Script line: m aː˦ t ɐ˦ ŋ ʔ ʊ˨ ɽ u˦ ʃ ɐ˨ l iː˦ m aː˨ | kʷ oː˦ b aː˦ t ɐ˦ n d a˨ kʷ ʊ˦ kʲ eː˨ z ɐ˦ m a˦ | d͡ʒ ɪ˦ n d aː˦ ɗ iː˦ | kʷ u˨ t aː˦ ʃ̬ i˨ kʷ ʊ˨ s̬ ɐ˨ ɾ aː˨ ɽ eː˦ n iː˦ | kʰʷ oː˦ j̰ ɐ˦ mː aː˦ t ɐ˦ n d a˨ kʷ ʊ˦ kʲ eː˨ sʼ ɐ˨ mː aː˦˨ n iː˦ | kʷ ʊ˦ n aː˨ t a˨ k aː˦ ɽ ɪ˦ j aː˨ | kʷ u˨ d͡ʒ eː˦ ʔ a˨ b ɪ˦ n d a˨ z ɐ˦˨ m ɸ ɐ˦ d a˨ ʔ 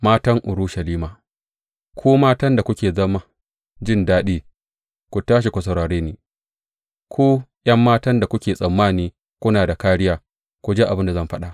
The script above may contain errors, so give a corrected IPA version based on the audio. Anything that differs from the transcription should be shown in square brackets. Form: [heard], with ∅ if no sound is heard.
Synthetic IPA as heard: m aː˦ t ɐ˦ ŋ ʔ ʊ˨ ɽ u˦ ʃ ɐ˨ l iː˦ m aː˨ | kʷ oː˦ [m] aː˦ t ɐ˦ n d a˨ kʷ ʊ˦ kʲ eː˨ z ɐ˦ m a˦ | d͡ʒ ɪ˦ n d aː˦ ɗ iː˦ | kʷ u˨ t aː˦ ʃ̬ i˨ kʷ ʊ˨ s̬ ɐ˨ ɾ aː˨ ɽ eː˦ n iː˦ | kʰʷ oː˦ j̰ ɐ˦ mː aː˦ t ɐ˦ n d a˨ kʷ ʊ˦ kʲ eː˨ sʼ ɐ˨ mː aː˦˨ n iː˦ | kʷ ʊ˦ n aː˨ [d] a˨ k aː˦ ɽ ɪ˦ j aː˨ | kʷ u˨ d͡ʒ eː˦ ʔ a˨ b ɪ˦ n d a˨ z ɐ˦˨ m ɸ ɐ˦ [ɗ] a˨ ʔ

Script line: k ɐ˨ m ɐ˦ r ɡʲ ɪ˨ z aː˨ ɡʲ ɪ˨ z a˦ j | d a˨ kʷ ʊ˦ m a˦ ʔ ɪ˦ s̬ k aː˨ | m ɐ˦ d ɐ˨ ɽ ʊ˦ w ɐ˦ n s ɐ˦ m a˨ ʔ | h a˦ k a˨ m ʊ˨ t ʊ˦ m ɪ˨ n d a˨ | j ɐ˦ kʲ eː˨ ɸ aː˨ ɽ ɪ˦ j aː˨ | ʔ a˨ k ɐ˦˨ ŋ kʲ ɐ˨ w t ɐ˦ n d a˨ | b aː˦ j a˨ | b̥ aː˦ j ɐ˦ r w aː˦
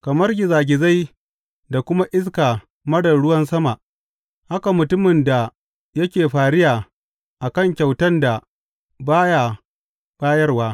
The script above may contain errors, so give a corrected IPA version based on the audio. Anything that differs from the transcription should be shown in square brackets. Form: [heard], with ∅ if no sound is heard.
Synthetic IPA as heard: k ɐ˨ m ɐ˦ r ɡʲ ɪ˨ z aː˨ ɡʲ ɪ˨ z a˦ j | d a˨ kʷ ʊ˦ m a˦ ʔ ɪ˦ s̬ k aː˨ | m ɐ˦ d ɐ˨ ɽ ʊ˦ w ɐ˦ n s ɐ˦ m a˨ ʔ | h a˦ k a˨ m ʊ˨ t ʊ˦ m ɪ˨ n d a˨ | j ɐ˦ kʲ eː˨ ɸ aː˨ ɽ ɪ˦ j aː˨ | ʔ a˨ k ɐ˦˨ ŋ kʲ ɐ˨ w t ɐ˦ n d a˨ | b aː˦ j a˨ | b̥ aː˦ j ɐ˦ r w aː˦

